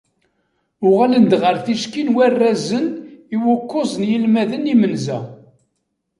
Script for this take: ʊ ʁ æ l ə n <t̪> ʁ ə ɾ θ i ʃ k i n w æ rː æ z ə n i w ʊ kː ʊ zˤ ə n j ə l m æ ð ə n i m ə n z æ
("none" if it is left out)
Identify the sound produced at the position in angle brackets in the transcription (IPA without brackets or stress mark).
d̪